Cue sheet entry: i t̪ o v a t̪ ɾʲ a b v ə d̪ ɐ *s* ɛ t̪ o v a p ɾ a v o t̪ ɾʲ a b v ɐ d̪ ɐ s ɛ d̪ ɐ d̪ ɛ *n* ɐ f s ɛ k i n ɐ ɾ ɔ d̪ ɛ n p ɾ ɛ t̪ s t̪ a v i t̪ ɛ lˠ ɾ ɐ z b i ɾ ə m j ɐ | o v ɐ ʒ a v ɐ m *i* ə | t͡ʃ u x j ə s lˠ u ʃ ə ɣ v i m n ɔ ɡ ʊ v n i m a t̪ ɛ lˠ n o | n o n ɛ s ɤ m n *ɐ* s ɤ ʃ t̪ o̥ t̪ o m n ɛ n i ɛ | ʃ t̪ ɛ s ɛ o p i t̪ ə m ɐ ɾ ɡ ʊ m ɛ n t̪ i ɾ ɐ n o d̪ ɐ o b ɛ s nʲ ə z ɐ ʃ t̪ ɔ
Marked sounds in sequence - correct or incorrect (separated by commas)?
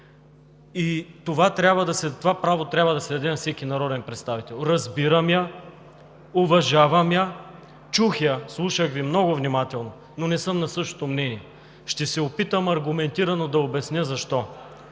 correct, correct, incorrect, correct